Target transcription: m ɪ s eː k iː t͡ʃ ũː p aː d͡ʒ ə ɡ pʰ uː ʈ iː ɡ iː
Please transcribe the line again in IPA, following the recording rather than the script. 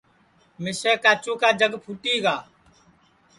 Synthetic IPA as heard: m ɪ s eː k aː t͡ʃ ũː k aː d͡ʒ ə ɡ pʰ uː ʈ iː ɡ aː